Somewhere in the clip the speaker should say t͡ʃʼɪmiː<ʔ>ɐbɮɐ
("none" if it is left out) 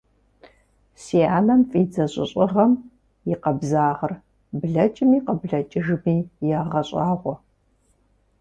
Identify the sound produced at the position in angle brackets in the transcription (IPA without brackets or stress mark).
q